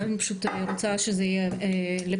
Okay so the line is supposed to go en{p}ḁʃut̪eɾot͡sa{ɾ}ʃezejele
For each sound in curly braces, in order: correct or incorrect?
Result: correct, incorrect: none

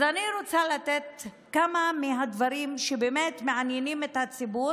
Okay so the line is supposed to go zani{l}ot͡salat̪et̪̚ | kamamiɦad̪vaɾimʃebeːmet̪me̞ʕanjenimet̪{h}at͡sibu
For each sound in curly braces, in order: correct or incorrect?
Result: incorrect: ɾ, correct

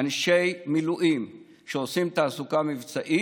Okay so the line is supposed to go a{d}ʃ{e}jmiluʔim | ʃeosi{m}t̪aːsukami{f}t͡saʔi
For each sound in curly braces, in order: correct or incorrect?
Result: incorrect: n, correct, correct, incorrect: v

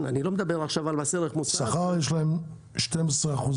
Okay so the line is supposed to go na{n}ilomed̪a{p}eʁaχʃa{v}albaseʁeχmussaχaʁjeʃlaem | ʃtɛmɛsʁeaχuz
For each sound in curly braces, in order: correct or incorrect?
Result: correct, incorrect: b, correct

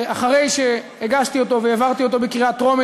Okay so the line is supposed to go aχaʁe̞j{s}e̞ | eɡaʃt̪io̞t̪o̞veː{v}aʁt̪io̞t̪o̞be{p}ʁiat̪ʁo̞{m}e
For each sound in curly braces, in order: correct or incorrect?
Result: incorrect: ʃ, correct, incorrect: k, correct

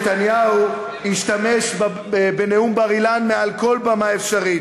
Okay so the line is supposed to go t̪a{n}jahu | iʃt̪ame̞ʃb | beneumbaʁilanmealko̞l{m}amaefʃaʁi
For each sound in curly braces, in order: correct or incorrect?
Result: correct, incorrect: b

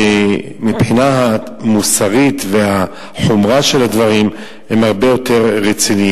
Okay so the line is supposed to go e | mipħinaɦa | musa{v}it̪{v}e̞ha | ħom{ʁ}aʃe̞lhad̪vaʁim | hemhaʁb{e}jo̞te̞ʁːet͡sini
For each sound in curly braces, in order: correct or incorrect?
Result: incorrect: ʁ, correct, correct, correct

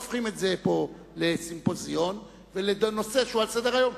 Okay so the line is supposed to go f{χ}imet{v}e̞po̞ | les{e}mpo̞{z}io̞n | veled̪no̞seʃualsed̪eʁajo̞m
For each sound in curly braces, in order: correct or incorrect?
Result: correct, incorrect: z, incorrect: i, correct

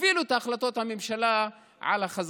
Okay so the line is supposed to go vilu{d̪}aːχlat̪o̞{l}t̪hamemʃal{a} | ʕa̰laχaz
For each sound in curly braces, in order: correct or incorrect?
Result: incorrect: t̪, incorrect: none, correct

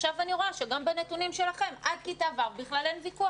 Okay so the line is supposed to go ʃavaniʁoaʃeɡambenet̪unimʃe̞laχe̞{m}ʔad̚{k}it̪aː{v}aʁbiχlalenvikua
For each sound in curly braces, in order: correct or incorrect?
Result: correct, correct, correct

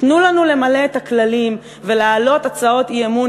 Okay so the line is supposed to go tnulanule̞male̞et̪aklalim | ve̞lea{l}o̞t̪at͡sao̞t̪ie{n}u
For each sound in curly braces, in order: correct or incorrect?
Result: correct, incorrect: m

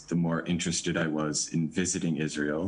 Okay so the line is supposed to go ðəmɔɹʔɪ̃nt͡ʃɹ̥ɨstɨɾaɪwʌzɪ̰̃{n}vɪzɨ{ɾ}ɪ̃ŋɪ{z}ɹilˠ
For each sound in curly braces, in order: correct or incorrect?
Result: correct, correct, correct

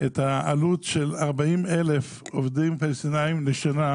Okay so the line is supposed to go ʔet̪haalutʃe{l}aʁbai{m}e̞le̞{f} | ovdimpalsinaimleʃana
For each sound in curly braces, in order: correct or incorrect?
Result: correct, correct, correct

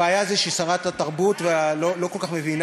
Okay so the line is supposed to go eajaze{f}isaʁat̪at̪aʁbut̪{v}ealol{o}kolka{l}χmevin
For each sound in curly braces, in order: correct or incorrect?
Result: incorrect: ʃ, correct, correct, incorrect: none

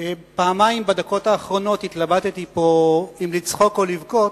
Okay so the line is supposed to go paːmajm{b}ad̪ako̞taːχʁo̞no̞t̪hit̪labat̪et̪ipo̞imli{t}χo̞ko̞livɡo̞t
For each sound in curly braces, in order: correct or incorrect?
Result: correct, incorrect: t͡s

